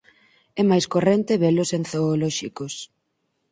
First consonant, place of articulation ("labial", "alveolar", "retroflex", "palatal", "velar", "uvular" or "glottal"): labial